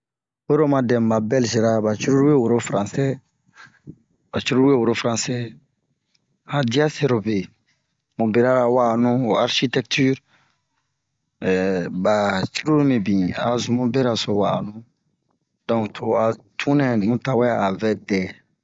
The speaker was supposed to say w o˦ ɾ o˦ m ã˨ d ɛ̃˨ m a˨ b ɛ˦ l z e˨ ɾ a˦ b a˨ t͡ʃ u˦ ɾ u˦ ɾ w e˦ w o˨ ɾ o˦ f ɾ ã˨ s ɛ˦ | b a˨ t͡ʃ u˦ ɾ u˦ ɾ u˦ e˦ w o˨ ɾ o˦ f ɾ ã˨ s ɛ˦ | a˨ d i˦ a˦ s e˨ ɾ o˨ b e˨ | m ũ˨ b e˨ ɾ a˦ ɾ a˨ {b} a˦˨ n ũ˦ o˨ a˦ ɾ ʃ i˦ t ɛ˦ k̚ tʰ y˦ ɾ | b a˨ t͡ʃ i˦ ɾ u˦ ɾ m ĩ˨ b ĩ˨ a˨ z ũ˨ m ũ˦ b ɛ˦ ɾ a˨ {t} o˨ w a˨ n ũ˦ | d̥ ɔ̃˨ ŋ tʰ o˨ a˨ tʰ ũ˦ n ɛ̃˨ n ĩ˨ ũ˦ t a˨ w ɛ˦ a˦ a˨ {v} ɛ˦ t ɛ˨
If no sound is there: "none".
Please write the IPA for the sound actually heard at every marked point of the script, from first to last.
w, s, v

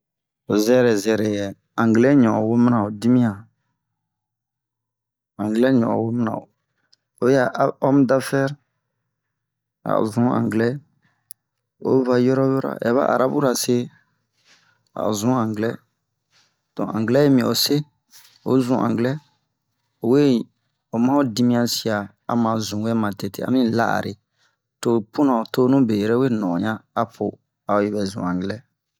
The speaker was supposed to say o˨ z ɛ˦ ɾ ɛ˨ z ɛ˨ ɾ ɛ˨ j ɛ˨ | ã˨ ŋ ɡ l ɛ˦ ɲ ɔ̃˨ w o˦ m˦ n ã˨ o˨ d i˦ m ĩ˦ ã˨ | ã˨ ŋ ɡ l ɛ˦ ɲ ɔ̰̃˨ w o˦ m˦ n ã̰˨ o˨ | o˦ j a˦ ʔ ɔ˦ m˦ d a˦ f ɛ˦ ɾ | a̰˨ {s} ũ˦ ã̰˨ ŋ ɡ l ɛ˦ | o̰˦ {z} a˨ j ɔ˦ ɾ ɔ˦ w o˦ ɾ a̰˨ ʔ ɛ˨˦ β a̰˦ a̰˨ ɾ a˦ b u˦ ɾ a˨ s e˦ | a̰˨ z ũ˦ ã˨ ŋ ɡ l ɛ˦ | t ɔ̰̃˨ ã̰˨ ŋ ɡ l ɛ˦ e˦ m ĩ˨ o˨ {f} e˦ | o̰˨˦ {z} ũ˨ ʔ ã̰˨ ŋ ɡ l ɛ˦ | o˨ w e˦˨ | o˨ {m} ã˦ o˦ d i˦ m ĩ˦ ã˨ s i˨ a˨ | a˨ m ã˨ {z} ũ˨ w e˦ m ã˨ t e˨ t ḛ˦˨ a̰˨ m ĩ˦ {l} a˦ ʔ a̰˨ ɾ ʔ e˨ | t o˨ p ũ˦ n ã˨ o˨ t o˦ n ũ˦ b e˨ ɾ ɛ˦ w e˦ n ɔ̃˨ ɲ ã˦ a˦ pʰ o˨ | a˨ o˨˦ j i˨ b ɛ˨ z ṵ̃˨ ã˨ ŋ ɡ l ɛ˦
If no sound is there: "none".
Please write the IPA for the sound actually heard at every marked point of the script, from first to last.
z, v, s, z, m, z, l

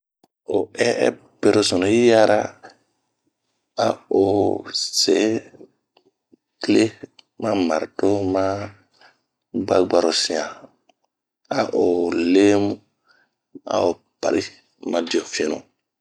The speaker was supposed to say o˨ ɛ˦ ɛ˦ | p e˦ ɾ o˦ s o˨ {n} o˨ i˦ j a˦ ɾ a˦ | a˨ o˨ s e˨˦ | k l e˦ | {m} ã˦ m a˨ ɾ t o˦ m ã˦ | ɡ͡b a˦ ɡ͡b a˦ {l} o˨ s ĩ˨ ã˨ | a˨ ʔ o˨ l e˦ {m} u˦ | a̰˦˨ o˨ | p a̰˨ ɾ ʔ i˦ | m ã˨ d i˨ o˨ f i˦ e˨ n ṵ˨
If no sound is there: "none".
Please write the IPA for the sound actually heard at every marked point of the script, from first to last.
n, m, ɾ, m

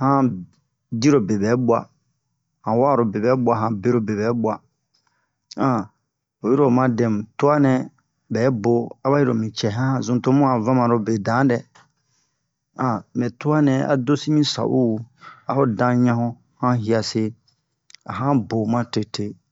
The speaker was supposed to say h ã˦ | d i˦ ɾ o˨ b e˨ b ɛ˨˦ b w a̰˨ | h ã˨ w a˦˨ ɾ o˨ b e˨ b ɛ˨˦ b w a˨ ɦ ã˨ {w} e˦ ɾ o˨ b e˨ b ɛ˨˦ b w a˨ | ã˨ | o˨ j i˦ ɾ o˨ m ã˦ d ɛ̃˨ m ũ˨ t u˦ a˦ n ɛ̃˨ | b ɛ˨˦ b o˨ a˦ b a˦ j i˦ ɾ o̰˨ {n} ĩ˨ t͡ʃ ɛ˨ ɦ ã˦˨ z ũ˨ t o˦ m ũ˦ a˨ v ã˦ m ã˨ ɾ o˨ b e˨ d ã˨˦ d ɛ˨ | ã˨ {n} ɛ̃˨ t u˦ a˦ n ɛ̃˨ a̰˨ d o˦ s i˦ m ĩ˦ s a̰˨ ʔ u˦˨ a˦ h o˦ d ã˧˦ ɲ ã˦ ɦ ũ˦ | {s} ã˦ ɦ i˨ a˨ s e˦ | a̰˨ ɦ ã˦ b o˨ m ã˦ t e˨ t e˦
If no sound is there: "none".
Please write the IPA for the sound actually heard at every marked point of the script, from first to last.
b, m, m, h

